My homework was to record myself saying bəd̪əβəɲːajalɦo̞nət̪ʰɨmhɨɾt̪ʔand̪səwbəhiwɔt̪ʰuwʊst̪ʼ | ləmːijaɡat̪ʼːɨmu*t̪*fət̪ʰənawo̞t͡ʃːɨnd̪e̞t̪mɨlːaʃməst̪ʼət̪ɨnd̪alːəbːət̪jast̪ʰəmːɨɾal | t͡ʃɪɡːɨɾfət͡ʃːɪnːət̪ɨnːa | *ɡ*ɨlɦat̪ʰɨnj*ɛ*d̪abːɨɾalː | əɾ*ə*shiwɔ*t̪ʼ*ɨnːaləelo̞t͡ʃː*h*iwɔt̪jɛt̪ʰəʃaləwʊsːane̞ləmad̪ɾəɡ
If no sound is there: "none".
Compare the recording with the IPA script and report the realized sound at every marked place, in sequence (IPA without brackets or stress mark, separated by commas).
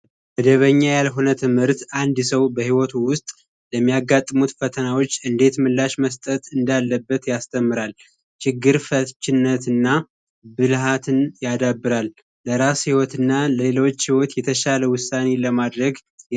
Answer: t̪, b, a, a, t̪, h